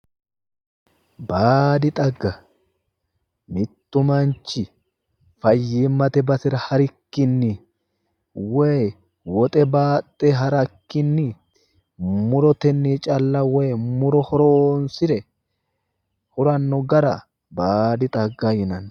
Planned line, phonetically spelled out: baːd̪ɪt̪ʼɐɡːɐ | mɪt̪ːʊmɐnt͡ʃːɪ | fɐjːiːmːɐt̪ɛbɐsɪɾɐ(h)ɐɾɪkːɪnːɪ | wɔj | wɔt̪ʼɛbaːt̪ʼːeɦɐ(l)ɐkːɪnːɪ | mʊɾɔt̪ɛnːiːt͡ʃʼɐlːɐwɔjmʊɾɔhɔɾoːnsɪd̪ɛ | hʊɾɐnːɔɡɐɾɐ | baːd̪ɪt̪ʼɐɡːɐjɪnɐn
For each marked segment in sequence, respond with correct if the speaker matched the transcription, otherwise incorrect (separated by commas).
correct, incorrect